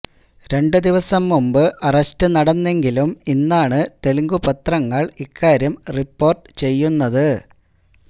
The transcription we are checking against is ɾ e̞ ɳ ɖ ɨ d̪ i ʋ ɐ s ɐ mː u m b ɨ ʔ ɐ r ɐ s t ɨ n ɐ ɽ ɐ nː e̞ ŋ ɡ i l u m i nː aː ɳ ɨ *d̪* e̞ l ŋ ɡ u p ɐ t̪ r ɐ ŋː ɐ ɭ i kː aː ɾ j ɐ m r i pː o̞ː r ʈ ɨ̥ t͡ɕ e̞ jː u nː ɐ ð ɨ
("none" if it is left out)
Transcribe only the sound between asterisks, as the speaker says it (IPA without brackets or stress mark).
t̪